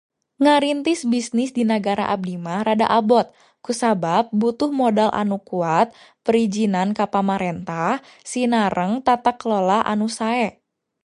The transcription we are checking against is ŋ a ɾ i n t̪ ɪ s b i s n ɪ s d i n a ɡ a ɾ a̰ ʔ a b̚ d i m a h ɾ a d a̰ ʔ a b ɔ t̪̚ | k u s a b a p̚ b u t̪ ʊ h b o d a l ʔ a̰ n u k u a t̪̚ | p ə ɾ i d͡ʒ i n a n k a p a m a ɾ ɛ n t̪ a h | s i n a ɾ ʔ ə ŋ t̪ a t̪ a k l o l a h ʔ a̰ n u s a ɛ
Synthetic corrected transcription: ŋ a ɾ i n t̪ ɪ s b i s n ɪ s d i n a ɡ a ɾ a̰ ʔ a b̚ d i m a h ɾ a d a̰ ʔ a b ɔ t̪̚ | k u s a b a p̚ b u t̪ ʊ h m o d a l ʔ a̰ n u k u a t̪̚ | p ə ɾ i d͡ʒ i n a n k a p a m a ɾ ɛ n t̪ a h | s i n a ɾ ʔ ə ŋ t̪ a t̪ a k l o l a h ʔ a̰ n u s a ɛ